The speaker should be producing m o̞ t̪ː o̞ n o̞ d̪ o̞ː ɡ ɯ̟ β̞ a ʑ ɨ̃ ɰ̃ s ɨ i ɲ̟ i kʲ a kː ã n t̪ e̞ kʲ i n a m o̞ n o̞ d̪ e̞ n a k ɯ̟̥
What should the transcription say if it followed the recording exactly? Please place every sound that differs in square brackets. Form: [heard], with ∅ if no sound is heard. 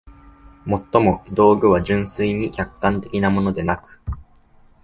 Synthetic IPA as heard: m o̞ t̪ː o̞ [m] o̞ d̪ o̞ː ɡ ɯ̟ β̞ a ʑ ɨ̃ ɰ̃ s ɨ i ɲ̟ i kʲ a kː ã n t̪ e̞ kʲ i n a m o̞ n o̞ d̪ e̞ n a k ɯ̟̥

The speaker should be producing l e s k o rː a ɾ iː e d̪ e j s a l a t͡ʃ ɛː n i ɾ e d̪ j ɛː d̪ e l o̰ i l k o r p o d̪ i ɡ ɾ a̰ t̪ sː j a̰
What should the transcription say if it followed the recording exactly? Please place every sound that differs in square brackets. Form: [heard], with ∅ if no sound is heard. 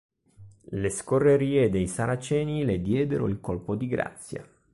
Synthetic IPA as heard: l e s k o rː [e] ɾ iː e d̪ e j s a [ɾ] a t͡ʃ ɛː n i [l] e d̪ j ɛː d̪ e [ɾ] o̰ i l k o [l] p o d̪ i ɡ ɾ a̰ t̪ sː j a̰

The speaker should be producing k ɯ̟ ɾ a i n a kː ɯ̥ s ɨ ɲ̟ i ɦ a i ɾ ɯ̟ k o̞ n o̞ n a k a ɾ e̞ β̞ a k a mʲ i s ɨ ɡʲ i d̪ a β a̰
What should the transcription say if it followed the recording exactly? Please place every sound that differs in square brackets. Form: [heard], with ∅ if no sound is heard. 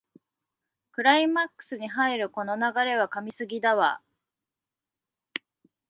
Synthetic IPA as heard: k ɯ̟ ɾ a i [m] a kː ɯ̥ s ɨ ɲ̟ i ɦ a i ɾ ɯ̟ k o̞ n o̞ n a [ɡ] a ɾ e̞ β̞ a k a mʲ i s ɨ ɡʲ i d̪ a β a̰

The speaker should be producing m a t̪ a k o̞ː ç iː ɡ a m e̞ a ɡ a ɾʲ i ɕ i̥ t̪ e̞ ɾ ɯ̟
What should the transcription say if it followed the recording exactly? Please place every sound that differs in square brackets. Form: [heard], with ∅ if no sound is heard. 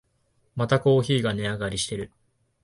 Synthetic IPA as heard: m a t̪ a k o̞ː ç iː ɡ a [n] e̞ a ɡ a ɾʲ i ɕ i̥ t̪ e̞ ɾ ɯ̟

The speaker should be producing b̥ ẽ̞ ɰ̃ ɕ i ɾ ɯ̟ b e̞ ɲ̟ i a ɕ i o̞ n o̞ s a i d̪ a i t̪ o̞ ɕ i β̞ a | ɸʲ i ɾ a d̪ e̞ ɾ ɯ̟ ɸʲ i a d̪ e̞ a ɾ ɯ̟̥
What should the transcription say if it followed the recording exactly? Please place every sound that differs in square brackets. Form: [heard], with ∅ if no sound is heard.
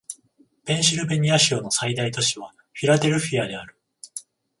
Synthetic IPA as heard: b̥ ẽ̞ ɰ̃ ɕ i ɾ ɯ̟ b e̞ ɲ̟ i a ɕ i o̞ n o̞ s a i d̪ a i t̪ o̞ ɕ i β̞ a | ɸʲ i ɾ a d̪ e̞ ɾ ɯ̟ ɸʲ i a d̪ e̞ a ɾ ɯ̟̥

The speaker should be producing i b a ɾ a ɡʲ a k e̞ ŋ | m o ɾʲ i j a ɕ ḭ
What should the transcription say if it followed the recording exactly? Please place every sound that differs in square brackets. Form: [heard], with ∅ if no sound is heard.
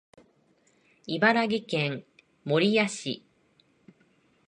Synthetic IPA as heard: i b a ɾ a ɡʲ [i] k [ẽ̞] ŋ | m o ɾʲ i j a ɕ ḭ

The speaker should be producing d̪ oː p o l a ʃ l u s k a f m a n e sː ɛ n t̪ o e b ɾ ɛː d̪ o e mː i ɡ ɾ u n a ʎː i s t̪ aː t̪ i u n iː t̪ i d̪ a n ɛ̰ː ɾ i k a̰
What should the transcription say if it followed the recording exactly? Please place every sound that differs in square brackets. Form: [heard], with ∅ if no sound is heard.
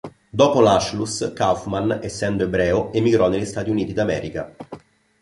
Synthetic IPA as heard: d̪ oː p o l a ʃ l u s k a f m a n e sː ɛ n [d̪] o e b ɾ ɛː [∅] o e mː i ɡ ɾ [ɔ] n [e] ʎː i s t̪ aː t̪ i u n iː t̪ i d̪ a [m] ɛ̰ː ɾ i k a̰

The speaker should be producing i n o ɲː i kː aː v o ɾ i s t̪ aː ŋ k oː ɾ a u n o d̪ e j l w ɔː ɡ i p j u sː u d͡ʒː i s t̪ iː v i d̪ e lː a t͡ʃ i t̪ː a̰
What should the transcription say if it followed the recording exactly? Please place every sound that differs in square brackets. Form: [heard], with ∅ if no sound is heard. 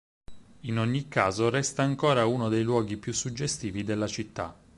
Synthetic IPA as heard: i n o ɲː i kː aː [z] o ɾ [ɛ] s t̪ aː ŋ k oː ɾ a u n o d̪ e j l w ɔː ɡ i p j u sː u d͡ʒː [e] s t̪ iː v i d̪ e lː a t͡ʃ i t̪ː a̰

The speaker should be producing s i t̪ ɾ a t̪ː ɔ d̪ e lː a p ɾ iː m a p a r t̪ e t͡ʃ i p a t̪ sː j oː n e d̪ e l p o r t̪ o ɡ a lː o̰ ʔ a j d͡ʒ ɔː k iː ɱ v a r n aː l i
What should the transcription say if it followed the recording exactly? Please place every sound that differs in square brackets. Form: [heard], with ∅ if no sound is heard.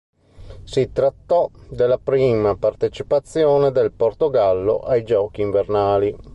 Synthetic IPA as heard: s i t̪ ɾ a t̪ː ɔ d̪ e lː a p ɾ iː m a p a r t̪ e t͡ʃ i p a t̪ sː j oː n e d̪ e l p o r t̪ o ɡ a lː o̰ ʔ a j d͡ʒ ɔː k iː ɱ v [e] r n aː l i

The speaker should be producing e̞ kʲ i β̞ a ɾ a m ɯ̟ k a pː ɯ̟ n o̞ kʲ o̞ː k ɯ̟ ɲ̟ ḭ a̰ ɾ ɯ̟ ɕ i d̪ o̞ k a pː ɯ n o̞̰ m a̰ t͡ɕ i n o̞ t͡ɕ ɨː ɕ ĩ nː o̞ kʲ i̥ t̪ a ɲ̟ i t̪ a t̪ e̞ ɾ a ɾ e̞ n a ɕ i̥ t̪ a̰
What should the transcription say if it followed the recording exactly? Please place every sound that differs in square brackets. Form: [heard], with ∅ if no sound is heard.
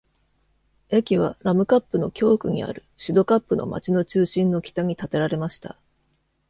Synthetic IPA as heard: e̞ kʲ i β̞ a ɾ a m ɯ̟ k a pː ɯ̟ n o̞ kʲ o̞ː k ɯ̟ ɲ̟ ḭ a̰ ɾ ɯ̟ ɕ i d̪ o̞ k a pː ɯ n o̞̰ m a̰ t͡ɕ i n o̞ t͡ɕ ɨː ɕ ĩ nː o̞ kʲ i̥ t̪ a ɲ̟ i t̪ a t̪ e̞ ɾ a ɾ e̞ [m] a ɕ i̥ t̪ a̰

